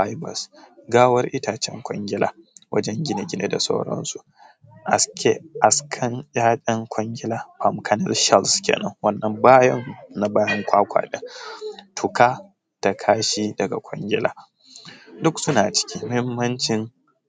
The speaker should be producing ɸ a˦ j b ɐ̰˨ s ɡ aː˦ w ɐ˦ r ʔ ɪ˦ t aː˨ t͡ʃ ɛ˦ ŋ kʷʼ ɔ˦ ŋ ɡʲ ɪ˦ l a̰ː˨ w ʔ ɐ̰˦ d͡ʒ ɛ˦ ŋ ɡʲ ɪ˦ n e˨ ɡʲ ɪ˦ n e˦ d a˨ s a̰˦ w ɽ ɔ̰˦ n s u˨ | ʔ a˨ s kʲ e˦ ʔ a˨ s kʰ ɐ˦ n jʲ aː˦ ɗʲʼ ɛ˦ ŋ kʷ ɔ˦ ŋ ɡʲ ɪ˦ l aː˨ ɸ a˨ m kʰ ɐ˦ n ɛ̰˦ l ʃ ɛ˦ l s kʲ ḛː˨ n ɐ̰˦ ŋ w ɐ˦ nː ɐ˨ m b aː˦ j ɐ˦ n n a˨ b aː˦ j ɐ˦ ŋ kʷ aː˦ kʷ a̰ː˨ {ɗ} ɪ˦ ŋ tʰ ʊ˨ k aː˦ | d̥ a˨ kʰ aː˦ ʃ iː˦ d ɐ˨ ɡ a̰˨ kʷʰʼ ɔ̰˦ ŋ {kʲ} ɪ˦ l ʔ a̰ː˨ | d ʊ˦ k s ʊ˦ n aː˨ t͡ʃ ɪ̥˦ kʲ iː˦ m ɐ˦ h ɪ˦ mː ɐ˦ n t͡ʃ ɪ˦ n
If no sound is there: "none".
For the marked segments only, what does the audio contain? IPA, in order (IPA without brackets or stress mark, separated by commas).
ɗ, ɡʲ